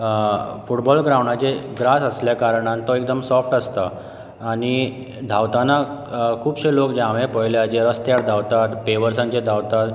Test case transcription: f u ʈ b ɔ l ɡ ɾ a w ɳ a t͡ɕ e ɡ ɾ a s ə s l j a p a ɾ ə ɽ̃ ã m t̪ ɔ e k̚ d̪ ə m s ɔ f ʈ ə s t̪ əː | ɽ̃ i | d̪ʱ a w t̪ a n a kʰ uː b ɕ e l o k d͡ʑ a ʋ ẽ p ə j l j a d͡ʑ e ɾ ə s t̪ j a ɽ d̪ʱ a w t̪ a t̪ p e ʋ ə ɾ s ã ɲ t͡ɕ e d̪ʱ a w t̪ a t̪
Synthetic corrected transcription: f u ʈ b ɔ l ɡ ɾ a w ɳ a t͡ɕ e ɡ ɾ a s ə s l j a k a ɾ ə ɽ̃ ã n t̪ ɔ e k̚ d̪ ə m s ɔ f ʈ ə s t̪ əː | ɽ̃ i | d̪ʱ a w t̪ a n a kʰ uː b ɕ e l o k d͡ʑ a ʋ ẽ p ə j l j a d͡ʑ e ɾ ə s t̪ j a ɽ d̪ʱ a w t̪ a t̪ p e ʋ ə ɾ s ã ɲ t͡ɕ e d̪ʱ a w t̪ a t̪